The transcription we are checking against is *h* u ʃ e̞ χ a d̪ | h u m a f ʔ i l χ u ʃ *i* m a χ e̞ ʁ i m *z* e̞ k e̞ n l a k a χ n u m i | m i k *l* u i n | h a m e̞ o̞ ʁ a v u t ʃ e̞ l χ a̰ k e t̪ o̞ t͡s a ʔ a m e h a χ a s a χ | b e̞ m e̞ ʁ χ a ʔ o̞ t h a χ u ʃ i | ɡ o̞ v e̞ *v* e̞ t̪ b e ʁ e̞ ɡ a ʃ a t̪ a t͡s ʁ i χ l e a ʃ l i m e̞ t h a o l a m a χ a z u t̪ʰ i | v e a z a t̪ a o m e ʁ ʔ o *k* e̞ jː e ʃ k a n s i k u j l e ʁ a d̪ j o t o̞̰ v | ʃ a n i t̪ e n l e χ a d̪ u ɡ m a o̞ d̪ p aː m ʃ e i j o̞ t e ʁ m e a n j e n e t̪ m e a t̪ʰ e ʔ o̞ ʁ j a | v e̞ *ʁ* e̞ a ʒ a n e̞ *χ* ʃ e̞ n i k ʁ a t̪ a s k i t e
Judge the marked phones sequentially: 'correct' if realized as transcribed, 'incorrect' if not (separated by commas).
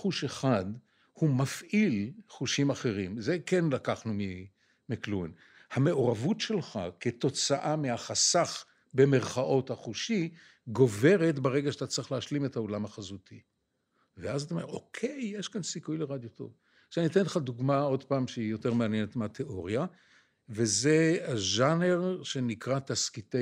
incorrect, correct, correct, correct, incorrect, incorrect, incorrect, incorrect